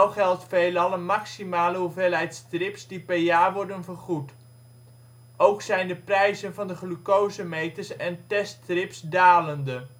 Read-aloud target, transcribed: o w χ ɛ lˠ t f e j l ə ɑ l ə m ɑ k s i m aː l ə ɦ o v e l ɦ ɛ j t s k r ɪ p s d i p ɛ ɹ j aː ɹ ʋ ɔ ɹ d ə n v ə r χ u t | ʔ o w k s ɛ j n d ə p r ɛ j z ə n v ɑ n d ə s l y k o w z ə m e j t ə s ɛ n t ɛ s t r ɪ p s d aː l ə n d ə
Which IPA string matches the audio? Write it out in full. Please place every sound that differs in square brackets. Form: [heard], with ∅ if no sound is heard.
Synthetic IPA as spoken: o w χ ɛ lˠ t f e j l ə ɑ l ə m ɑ k s i m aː l ə ɦ [u] v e l ɦ ɛ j t s [t] r ɪ p s d i p ɛ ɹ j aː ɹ ʋ ɔ ɹ d ə n v ə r χ u t | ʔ o w k s ɛ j n d ə p r ɛ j z ə n v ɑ n d ə [χ] l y k o w z ə m e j t ə s ɛ n t ɛ s t r ɪ p s d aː l ə n d ə